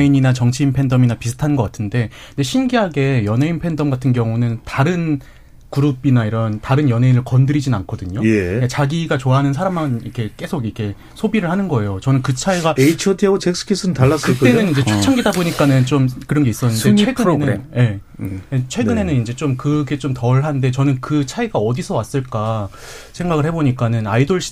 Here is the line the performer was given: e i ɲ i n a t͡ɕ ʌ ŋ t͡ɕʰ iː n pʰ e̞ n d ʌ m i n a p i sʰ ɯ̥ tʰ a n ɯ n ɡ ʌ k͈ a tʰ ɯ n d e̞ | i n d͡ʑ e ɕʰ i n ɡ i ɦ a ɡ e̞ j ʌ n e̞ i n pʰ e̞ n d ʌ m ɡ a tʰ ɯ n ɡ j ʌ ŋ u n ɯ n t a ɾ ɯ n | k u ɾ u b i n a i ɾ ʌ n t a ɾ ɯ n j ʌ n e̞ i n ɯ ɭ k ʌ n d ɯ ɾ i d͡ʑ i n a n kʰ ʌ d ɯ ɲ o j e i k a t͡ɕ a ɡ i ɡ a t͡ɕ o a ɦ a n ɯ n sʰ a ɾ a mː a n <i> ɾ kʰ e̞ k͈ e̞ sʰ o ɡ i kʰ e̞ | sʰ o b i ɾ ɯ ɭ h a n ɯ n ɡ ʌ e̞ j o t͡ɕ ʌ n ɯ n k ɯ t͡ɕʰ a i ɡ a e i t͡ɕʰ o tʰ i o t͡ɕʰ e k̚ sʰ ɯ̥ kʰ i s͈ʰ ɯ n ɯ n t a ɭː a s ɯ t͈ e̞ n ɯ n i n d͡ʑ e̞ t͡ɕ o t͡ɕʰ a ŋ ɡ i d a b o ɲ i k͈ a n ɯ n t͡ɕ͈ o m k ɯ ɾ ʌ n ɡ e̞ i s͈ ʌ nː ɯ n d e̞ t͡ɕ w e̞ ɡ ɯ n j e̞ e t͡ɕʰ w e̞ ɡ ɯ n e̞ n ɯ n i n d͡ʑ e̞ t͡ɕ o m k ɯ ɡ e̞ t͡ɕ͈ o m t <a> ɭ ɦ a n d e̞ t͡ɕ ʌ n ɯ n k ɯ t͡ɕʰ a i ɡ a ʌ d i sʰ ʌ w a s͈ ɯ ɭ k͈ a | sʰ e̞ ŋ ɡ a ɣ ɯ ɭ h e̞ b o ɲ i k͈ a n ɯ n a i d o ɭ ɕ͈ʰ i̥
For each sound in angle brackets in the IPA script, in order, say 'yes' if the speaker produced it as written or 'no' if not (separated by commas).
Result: yes, no